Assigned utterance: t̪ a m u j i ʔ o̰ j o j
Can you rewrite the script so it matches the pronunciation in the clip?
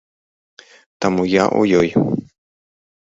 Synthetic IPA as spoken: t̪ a m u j a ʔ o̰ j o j